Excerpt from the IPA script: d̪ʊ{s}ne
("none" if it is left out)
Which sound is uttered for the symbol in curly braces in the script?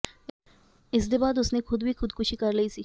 s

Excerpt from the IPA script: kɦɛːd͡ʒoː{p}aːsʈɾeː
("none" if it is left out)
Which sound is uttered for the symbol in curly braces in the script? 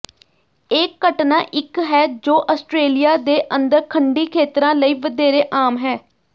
ʔ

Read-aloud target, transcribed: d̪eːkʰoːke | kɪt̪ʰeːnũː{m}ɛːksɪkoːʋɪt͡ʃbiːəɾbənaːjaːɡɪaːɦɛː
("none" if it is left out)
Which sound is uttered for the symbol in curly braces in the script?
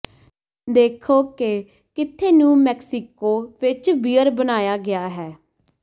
m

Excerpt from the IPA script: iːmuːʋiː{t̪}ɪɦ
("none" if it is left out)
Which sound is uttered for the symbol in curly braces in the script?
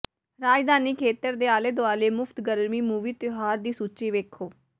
t̪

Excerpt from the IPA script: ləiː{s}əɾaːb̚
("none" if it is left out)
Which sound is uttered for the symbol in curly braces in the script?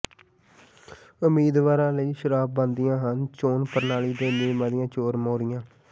ʃ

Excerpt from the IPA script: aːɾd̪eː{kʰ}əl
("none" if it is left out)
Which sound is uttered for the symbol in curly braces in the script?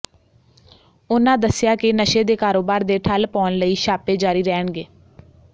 ʈʰ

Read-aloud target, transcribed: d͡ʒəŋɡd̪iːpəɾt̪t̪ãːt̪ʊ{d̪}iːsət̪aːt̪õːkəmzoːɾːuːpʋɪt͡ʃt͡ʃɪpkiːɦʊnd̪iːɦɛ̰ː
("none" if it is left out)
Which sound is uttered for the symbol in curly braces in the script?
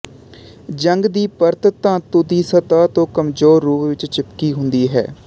d̪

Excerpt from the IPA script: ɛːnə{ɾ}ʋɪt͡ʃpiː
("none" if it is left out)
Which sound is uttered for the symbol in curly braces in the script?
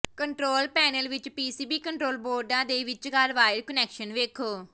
l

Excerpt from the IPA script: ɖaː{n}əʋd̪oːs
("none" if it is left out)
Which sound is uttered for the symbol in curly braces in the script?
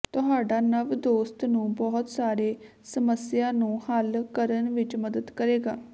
n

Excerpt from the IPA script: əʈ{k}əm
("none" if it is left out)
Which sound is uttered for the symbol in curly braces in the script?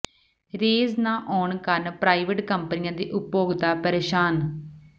k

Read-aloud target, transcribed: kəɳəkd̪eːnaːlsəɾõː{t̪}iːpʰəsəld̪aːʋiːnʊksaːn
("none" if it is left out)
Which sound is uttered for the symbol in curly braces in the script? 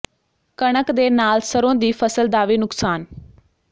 d̪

